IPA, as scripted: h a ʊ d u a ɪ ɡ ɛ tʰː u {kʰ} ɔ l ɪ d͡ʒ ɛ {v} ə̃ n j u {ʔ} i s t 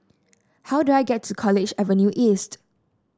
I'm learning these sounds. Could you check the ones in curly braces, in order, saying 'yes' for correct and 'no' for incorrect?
yes, yes, yes

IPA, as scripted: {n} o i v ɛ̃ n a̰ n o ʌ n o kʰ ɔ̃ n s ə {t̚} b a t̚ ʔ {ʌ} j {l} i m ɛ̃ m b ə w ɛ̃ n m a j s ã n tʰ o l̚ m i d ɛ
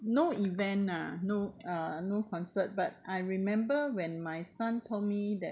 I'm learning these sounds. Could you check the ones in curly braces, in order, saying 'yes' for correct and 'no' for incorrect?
yes, yes, no, no

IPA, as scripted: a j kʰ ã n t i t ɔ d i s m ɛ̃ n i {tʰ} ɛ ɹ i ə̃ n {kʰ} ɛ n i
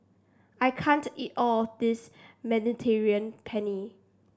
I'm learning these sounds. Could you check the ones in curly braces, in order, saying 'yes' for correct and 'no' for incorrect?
yes, no

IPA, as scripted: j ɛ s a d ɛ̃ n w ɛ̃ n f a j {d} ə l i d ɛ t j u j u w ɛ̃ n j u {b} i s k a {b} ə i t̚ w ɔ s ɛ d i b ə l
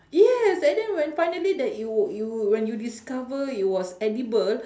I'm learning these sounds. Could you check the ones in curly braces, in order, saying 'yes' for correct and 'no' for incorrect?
no, no, no

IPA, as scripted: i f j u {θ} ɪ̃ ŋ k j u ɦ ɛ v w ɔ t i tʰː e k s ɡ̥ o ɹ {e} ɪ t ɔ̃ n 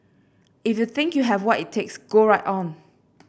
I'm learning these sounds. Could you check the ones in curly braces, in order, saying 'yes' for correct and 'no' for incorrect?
yes, no

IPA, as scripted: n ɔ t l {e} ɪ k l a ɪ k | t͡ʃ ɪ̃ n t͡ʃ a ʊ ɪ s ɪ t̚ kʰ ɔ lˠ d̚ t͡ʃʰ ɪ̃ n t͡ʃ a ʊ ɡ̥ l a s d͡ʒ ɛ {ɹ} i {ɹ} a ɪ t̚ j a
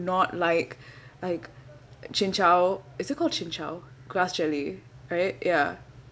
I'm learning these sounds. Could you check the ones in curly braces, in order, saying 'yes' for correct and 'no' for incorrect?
no, no, yes

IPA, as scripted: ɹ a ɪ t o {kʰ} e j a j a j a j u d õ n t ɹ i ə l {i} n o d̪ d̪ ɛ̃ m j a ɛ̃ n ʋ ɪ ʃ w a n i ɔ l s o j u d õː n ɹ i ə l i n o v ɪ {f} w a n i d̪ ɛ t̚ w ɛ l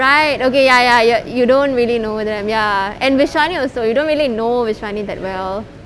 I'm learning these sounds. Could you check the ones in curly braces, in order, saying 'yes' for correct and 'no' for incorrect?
no, yes, no

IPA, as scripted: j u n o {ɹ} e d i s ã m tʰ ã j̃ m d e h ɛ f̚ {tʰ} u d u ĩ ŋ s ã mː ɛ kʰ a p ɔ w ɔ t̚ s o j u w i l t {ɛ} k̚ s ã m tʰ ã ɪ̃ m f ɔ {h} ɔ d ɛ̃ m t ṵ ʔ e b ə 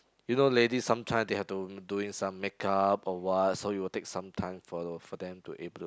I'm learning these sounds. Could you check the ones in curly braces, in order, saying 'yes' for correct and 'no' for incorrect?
no, no, no, no

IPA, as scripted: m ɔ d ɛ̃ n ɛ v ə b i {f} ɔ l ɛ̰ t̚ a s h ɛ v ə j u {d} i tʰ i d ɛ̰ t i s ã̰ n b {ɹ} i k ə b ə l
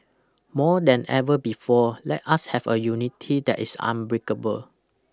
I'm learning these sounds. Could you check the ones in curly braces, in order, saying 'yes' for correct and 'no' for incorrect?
yes, no, yes

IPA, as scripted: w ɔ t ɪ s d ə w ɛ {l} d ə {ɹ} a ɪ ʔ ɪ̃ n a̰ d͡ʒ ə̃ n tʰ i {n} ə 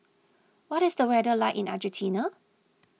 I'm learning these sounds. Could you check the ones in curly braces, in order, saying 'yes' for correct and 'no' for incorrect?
no, no, yes

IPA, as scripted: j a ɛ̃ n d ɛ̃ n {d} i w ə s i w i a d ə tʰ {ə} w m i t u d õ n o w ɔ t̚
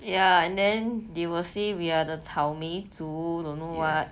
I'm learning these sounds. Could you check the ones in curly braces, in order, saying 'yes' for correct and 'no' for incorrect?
yes, no

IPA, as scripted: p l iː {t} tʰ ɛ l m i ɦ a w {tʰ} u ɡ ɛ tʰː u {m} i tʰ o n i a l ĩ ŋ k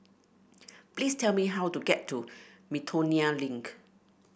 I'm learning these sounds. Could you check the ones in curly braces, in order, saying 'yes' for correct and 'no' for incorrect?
no, no, yes

